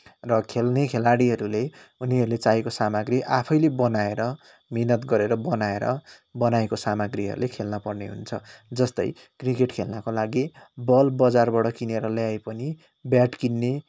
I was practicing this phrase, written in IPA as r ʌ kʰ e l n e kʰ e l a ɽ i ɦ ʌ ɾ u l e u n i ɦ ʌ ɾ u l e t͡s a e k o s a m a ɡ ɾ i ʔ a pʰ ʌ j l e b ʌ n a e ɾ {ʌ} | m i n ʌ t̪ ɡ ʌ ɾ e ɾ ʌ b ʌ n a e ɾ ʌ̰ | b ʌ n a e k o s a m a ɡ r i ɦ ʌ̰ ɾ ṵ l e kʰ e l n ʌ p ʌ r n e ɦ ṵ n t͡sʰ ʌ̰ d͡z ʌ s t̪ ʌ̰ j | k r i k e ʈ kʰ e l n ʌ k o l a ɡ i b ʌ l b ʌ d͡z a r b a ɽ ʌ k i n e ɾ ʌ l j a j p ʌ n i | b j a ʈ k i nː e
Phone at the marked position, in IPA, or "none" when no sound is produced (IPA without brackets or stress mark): ʌ